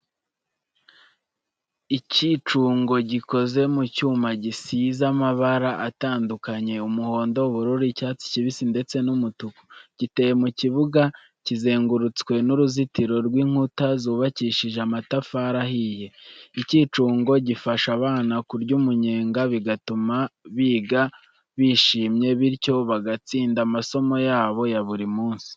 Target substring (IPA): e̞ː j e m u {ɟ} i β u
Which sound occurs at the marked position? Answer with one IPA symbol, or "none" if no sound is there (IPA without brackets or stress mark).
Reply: c